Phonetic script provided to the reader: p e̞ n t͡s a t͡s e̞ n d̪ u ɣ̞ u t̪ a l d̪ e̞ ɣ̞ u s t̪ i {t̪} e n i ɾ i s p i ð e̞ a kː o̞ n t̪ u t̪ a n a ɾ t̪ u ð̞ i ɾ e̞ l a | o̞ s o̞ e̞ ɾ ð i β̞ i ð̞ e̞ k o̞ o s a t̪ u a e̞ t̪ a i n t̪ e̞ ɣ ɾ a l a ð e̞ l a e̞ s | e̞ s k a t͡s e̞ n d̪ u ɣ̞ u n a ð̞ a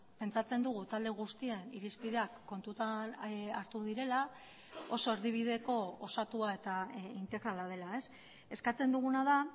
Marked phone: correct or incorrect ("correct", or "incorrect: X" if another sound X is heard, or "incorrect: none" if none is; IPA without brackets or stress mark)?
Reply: incorrect: none